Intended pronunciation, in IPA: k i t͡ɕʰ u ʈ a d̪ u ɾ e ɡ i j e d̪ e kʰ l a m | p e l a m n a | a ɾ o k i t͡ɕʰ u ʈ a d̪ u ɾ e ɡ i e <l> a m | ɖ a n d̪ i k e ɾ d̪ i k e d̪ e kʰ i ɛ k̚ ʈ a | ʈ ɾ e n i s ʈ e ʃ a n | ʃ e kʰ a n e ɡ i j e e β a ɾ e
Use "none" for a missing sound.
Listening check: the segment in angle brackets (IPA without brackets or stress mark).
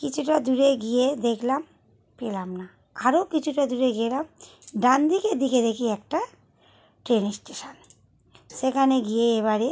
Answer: l